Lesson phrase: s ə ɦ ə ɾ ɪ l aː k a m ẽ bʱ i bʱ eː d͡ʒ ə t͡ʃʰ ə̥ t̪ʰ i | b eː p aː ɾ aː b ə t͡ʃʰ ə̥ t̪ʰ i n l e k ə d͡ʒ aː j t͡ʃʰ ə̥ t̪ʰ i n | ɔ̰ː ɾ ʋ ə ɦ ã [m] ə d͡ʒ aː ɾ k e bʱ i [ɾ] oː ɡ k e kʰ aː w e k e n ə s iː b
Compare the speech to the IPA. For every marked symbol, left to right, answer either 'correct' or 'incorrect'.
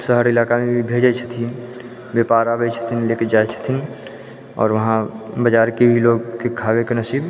incorrect: b, incorrect: l

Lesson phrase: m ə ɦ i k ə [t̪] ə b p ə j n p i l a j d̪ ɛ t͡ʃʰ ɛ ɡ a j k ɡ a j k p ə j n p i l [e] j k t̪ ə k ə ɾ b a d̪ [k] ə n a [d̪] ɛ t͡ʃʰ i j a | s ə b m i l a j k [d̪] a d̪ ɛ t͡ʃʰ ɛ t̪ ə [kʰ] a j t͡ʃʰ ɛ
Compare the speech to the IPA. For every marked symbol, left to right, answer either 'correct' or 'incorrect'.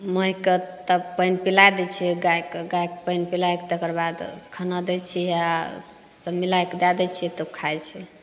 correct, incorrect: a, incorrect: kʰ, correct, correct, correct

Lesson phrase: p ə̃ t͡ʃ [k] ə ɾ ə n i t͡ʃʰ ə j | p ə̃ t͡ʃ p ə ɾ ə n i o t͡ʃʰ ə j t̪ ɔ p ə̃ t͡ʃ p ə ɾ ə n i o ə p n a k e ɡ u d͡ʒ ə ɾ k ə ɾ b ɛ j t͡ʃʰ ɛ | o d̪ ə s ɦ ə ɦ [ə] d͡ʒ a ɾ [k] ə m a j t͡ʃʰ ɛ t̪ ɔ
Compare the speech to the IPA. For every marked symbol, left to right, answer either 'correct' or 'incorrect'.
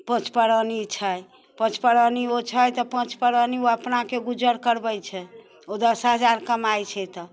incorrect: p, correct, correct

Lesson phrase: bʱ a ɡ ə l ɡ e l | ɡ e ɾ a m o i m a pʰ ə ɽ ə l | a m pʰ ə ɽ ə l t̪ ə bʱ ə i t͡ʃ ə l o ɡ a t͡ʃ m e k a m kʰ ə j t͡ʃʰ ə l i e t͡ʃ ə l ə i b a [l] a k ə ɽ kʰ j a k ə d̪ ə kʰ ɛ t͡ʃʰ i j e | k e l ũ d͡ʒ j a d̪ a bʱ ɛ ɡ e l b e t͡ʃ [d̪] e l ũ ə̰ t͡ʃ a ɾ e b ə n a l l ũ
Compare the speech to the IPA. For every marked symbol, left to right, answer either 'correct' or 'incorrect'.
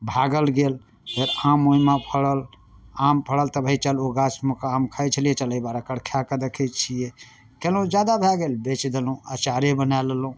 incorrect: ɾ, correct

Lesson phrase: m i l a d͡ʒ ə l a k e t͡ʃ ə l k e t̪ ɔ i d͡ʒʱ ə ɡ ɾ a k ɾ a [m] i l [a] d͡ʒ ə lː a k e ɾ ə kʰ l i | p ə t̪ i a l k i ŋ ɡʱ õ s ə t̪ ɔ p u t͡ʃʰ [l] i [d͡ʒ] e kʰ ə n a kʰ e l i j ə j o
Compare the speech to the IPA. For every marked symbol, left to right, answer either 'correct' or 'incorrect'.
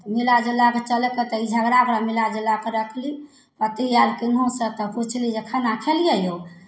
correct, correct, correct, correct

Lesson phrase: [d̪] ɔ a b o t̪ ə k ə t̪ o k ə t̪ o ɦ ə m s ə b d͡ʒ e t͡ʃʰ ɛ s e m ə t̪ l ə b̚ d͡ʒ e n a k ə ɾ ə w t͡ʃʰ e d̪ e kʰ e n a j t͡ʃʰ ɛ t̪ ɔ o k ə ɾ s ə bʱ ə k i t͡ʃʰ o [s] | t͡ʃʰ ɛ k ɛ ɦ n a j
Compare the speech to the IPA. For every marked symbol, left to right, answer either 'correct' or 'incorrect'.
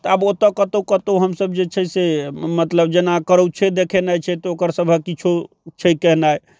incorrect: t̪, incorrect: none

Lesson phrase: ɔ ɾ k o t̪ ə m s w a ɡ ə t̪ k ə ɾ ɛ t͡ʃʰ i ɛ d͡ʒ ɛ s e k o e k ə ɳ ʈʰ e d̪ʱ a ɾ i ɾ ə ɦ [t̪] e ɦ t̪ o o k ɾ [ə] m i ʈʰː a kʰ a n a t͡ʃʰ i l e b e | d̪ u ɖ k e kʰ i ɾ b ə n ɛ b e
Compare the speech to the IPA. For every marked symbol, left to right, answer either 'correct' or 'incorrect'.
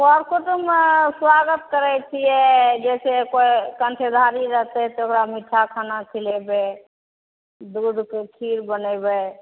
correct, incorrect: a

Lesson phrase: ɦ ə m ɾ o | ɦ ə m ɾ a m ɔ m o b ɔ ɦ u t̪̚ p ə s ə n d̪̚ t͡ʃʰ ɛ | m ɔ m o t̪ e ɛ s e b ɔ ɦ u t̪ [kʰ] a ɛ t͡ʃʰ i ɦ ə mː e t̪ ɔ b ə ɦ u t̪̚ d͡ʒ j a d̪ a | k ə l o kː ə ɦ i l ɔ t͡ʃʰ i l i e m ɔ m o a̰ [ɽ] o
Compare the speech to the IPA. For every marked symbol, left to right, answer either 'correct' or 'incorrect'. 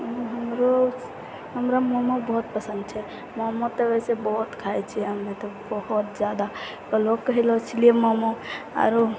correct, incorrect: ɾ

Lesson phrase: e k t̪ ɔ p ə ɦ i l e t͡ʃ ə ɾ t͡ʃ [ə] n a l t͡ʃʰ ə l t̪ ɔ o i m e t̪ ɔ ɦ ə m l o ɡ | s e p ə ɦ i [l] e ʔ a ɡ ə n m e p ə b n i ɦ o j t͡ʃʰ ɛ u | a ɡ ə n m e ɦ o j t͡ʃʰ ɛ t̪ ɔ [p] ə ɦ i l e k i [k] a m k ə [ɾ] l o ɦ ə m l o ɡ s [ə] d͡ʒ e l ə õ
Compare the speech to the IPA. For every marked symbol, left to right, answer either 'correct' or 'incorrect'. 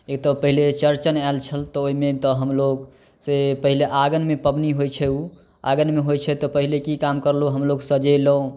correct, correct, correct, correct, correct, correct

